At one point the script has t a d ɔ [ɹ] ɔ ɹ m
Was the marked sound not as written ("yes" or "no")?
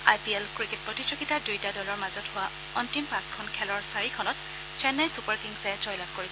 yes